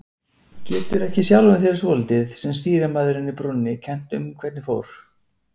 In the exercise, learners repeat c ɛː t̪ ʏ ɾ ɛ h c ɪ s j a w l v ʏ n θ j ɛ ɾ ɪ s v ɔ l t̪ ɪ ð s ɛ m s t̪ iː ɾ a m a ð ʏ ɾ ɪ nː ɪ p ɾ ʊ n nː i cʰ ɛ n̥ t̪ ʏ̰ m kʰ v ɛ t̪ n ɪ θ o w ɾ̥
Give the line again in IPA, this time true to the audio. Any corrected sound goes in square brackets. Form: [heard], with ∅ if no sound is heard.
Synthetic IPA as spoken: c ɛː t̪ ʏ ɾ ɛ h c ɪ s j a w l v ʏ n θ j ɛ ɾ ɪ s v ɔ l t̪ ɪ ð s ɛ m s t̪ iː ɾ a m a ð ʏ ɾ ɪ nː ɪ p ɾ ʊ n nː [ɪ] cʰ ɛ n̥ t̪ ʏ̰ m kʰ v ɛ t̪ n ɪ [f] o w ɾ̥

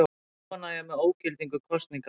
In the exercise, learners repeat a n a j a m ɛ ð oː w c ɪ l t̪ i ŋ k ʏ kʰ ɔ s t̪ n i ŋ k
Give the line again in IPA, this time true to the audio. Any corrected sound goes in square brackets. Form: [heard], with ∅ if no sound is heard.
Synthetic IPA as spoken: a n a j a m ɛ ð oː w c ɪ l t̪ i ŋ k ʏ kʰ ɔ s t̪ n i ŋ k

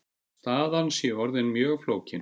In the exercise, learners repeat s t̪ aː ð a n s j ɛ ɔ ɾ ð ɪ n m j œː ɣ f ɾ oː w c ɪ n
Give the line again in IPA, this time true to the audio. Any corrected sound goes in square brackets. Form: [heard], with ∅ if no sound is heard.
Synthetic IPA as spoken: s t̪ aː ð a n s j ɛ ɔ ɾ ð ɪ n m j œː ɣ f [l] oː w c ɪ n

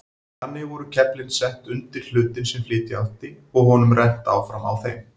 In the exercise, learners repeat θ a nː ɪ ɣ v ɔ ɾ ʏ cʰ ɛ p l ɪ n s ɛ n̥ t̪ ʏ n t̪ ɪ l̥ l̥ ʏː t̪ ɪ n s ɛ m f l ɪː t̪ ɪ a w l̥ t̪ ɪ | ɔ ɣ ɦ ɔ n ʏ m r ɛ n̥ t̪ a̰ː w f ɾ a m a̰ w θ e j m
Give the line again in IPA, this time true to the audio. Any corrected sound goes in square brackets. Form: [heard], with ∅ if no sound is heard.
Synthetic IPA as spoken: θ a nː ɪ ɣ v ɔ ɾ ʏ cʰ ɛ p l ɪ n s ɛ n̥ t̪ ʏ n t̪ ɪ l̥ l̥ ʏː t̪ ɪ n s ɛ m f l ɪː t̪ ɪ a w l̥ t̪ ɪ | ɔ ɣ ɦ ɔ n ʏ m r ɛ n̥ t̪ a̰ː w f ɾ a m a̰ w θ e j m

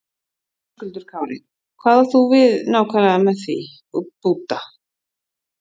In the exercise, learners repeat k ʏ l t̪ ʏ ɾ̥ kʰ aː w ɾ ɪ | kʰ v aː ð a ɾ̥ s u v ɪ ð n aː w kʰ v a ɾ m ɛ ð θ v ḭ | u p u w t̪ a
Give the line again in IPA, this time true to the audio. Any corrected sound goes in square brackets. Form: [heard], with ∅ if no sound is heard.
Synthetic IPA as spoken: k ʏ l t̪ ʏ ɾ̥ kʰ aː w ɾ ɪ | kʰ v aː ð a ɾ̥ [θ] u v ɪ ð n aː w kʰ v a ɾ m ɛ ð θ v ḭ | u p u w t̪ a

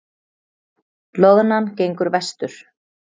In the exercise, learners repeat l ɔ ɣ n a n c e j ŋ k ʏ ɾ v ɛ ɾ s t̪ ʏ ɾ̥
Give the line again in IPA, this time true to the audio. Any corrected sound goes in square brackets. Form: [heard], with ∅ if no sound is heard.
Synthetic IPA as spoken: l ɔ ɣ n a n c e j ŋ k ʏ ɾ v ɛ [∅] s t̪ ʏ ɾ̥

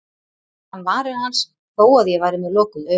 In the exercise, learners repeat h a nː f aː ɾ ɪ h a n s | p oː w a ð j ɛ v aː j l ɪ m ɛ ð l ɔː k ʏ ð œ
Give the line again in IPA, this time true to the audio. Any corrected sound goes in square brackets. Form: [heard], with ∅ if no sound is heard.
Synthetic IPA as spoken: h a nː [v] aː ɾ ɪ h a n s | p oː w a ð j ɛ v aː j [ɾ] ɪ m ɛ ð l ɔː k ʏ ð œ

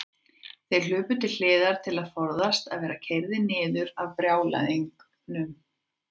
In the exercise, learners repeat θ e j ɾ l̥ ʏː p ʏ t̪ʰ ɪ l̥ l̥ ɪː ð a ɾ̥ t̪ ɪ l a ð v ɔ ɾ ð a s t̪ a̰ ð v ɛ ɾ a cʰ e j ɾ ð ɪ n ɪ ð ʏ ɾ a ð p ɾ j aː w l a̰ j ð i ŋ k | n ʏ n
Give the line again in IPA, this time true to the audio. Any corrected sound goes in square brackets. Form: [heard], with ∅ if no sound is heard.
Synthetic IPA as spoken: θ e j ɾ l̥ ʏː p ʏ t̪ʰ ɪ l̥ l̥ ɪː ð a ɾ̥ [t̪ʰ] ɪ l a ð [f] ɔ ɾ ð a s t̪ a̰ ð v [ɛː] ɾ a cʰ e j ɾ ð ɪ n [ɪː] ð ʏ ɾ a [v] p ɾ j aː w l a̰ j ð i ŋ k | n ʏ [m]

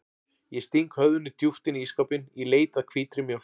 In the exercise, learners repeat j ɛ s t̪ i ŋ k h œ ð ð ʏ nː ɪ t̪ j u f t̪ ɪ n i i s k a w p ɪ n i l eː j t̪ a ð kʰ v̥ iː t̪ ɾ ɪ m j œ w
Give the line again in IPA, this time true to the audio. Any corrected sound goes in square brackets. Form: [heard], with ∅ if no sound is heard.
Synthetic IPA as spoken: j ɛ s t̪ i ŋ k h œ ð ð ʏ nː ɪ t̪ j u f t̪ ɪ n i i s k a w p ɪ n i l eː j t̪ a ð kʰ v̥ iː t̪ ɾ ɪ m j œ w

